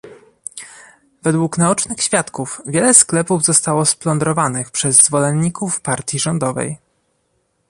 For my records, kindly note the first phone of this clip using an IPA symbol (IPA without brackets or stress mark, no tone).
v